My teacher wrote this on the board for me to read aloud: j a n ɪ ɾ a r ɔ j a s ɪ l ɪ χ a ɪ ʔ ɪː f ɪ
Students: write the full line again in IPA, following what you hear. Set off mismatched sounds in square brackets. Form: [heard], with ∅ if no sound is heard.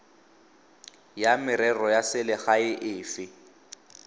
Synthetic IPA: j a [m] ɪ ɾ [ɛ] r ɔ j a s ɪ l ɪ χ a ɪ ʔ ɪː f ɪ